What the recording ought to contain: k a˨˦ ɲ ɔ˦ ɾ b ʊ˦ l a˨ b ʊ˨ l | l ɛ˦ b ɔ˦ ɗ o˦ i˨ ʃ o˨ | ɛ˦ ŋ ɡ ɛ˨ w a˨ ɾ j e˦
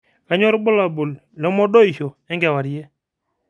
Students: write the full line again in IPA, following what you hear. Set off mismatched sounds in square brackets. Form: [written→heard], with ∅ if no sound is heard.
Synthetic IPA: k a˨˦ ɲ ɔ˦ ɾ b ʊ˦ l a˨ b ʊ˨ l | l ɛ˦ [b→m] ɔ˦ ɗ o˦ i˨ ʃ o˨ | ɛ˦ ŋ ɡ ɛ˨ w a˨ ɾ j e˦